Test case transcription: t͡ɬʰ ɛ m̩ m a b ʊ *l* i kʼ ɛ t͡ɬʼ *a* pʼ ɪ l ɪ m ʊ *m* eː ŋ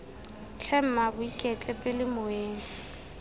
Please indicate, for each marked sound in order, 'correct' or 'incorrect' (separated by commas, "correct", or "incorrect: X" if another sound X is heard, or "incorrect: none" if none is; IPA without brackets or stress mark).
incorrect: none, incorrect: ɛ, incorrect: none